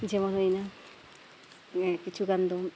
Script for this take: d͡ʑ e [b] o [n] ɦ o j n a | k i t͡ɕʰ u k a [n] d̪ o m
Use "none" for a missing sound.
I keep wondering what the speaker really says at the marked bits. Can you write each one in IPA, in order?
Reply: m, n, n

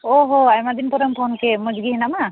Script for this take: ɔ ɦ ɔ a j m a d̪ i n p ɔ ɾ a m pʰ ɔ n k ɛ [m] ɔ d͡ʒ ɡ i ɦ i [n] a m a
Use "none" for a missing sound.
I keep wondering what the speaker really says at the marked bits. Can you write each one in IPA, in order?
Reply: m, n

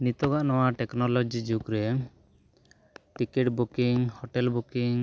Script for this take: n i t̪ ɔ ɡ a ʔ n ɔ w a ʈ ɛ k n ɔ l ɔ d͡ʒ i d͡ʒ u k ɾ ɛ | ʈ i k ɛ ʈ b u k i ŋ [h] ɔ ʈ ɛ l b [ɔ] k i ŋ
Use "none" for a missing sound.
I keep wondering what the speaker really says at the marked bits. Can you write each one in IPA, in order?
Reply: h, u

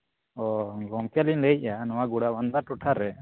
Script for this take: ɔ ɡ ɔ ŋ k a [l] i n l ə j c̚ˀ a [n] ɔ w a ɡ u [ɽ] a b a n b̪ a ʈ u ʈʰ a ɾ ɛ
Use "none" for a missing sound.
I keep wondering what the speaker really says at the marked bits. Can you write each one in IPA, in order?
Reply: l, n, ɽ

